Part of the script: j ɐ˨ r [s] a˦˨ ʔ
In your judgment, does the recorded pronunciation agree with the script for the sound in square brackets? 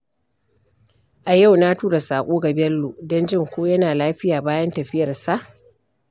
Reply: yes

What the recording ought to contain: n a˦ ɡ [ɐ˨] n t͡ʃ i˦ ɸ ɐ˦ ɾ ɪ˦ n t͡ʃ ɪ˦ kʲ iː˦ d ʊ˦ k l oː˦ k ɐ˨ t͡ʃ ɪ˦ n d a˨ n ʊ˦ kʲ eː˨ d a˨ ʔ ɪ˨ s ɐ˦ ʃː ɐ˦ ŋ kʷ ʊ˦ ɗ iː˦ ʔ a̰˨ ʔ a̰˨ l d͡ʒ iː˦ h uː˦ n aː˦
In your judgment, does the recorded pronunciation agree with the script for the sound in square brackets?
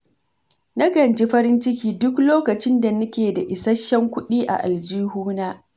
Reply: yes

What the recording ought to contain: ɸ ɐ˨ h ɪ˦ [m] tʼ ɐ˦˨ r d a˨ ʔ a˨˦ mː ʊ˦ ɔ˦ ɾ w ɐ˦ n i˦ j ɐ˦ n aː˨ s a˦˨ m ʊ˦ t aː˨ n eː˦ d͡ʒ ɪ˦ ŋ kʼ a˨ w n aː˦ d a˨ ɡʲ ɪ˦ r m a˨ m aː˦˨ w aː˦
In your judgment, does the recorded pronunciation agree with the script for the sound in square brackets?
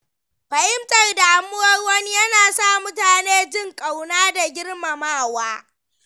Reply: yes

